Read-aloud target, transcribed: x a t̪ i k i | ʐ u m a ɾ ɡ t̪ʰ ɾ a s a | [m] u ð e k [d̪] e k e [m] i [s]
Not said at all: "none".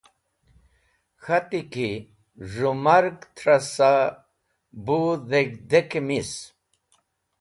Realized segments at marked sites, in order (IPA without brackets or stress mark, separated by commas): b, d̪, m, s